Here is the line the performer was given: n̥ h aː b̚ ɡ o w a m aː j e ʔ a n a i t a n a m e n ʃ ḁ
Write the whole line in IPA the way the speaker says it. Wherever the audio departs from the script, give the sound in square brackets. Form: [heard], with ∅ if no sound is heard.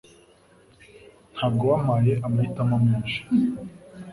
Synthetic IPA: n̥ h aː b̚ ɡ o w a m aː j e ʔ a [m] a i t a [m] a m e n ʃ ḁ